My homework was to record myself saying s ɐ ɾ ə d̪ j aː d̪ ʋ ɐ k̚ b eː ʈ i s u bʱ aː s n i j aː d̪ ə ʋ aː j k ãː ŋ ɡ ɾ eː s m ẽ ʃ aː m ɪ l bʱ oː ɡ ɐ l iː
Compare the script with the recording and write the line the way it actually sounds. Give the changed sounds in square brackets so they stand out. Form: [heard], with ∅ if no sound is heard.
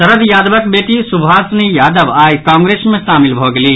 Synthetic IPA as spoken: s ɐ ɾ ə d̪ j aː d̪ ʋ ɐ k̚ b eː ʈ i s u bʱ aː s n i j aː d̪ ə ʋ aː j k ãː ŋ ɡ ɾ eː s m ẽ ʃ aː m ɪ l bʱ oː ɡ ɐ l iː